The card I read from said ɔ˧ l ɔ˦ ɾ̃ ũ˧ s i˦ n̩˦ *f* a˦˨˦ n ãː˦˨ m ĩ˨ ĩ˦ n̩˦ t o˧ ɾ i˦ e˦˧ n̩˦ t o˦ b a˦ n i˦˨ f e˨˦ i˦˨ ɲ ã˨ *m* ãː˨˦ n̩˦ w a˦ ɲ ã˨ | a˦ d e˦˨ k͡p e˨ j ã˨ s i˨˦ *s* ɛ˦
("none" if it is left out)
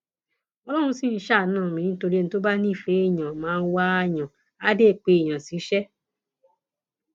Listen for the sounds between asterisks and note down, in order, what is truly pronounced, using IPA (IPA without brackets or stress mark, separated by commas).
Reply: ʃ, m, ʃ